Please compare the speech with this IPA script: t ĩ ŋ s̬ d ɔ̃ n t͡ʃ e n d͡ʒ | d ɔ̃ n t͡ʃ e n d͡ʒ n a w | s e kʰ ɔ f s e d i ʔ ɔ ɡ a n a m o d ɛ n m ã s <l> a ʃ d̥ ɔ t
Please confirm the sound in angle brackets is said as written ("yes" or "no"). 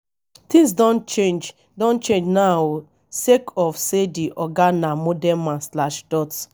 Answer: yes